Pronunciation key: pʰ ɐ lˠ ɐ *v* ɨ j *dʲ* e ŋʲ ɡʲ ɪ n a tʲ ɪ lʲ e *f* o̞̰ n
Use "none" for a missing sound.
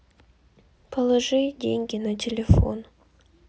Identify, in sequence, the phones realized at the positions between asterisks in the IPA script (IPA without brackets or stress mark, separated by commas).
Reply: ʐ, dʲ, f